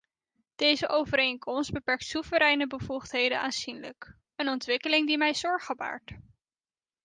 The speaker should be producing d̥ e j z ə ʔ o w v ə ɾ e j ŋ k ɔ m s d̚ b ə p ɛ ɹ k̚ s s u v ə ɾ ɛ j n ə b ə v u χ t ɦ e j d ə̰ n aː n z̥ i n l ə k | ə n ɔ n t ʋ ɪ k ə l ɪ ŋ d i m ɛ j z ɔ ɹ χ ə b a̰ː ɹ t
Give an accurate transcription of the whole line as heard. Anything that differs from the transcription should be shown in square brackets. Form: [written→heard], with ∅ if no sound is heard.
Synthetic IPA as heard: d̥ e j z ə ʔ o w v ə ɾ e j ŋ k ɔ m s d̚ b ə p ɛ ɹ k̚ [s→t] s u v ə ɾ ɛ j n ə b ə v u χ t ɦ e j d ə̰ n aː n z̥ i n l ə k | ə n ɔ n t ʋ ɪ k ə l ɪ ŋ d i m ɛ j z ɔ ɹ χ ə b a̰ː ɹ t